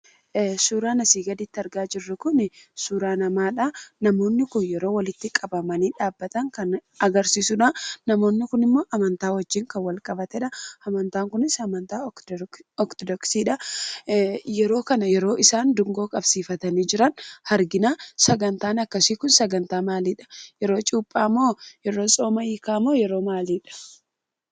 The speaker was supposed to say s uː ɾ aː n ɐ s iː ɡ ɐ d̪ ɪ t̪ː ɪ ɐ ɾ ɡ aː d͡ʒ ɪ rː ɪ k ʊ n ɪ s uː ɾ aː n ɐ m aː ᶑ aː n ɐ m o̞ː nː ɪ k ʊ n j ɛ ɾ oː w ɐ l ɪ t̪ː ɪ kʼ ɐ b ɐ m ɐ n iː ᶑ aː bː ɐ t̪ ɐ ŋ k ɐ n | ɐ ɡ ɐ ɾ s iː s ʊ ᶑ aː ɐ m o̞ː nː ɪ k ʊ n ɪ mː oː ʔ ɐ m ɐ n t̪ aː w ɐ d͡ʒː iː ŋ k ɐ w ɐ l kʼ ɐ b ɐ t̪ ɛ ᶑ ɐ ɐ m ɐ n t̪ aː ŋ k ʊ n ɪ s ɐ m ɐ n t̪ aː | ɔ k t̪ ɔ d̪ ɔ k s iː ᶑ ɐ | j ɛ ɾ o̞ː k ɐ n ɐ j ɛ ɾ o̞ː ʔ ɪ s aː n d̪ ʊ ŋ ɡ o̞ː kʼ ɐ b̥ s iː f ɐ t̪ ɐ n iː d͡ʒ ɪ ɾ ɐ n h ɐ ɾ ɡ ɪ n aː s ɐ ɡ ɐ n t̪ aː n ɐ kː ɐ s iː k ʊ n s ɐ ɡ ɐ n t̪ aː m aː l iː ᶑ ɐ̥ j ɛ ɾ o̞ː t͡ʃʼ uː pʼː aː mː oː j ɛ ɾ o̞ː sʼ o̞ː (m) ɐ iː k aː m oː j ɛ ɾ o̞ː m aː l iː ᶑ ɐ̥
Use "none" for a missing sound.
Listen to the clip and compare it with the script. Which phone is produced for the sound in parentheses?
m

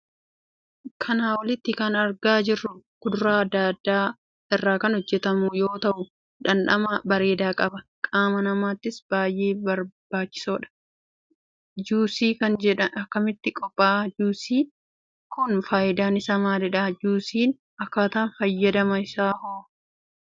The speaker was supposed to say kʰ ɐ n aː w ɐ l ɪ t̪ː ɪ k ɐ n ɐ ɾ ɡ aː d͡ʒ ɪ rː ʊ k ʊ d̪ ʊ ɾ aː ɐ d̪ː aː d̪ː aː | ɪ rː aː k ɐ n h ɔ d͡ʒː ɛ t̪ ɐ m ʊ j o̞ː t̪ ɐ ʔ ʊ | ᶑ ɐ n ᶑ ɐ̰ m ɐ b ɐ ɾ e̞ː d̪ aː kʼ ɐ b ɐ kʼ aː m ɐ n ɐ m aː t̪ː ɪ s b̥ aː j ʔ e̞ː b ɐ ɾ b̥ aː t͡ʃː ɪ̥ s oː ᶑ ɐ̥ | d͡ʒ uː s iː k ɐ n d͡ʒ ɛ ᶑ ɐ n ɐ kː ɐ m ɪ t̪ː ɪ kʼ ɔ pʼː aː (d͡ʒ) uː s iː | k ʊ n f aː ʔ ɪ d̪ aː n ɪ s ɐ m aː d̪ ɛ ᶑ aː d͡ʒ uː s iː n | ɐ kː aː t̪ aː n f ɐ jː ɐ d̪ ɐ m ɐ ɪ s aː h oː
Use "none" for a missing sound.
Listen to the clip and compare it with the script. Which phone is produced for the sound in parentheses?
d͡ʒ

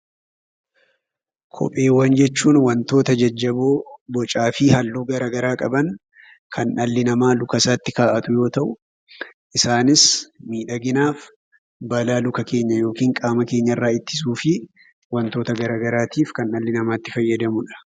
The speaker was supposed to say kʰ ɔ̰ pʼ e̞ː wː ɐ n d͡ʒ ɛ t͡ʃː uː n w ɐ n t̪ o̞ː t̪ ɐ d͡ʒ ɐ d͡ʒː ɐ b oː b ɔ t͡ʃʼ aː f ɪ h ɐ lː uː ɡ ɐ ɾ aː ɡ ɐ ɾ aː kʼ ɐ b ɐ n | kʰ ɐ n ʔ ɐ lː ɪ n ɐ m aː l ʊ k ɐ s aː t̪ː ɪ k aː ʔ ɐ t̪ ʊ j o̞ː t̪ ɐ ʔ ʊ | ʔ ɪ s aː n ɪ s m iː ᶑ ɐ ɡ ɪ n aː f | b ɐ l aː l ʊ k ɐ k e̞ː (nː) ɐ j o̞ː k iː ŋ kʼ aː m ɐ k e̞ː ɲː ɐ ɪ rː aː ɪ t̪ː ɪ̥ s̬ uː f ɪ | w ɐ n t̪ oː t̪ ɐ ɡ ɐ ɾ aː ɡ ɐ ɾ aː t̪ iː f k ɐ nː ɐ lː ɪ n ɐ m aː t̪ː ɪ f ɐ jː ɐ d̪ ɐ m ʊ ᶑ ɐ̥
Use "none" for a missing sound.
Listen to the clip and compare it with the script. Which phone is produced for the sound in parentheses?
ɲː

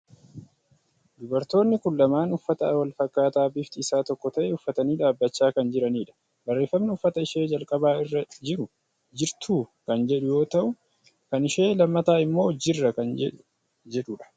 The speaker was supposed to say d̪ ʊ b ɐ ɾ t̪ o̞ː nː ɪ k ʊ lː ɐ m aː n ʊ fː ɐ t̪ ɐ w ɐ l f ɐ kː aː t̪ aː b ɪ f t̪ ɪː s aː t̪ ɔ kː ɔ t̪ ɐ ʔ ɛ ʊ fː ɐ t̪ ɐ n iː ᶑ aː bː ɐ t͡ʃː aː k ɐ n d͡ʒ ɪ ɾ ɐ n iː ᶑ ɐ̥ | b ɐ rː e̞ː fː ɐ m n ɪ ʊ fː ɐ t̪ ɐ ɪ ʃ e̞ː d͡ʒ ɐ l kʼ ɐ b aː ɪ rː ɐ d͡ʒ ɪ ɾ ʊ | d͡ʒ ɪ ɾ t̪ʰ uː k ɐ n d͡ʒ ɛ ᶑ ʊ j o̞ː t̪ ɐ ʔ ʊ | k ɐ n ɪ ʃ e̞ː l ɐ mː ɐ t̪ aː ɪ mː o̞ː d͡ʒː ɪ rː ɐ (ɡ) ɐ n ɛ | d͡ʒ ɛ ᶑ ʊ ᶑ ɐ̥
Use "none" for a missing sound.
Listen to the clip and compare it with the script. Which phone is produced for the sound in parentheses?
k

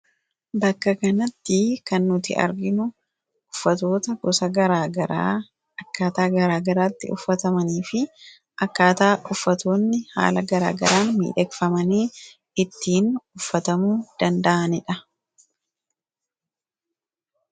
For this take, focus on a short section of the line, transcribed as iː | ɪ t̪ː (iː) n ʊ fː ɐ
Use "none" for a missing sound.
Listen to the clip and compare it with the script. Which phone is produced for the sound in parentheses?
iː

